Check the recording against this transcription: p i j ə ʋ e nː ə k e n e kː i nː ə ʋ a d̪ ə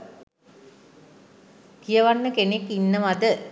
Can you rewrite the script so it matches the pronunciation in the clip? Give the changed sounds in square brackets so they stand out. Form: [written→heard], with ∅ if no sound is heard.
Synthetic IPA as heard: [p→k] i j ə ʋ [e→a] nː ə k e n e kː i nː ə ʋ a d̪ ə